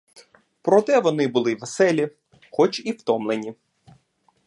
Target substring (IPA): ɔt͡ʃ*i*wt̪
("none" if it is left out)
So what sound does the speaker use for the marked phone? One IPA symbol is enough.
i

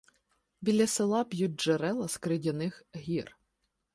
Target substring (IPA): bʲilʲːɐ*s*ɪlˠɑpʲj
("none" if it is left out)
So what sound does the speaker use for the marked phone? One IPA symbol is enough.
s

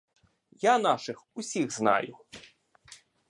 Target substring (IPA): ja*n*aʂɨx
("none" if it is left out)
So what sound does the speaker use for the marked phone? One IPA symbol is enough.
n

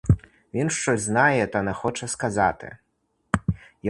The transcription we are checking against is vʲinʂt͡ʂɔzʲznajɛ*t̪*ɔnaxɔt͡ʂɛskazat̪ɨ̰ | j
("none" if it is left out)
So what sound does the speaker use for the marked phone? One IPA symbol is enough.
t̪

